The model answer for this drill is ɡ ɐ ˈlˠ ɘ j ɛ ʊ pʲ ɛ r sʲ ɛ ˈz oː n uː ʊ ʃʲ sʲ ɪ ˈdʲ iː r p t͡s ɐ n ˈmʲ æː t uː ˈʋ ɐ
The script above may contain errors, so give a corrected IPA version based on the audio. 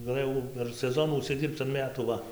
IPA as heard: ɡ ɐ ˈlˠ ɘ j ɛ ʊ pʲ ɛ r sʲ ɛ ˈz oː n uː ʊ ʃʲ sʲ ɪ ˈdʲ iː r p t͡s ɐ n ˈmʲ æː t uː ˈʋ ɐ